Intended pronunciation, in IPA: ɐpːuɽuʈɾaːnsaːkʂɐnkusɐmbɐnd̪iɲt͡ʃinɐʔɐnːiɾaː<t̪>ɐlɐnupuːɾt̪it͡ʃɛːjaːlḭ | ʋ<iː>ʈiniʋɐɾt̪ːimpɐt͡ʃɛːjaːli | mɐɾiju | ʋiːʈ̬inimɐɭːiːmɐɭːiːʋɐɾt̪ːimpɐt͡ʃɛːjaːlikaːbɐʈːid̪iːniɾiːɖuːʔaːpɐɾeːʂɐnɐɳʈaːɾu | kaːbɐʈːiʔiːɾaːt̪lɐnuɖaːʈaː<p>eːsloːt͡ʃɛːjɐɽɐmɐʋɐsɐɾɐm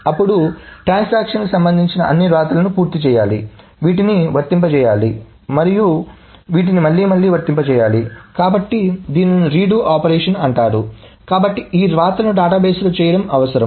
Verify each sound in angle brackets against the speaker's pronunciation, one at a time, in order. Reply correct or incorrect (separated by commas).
correct, correct, incorrect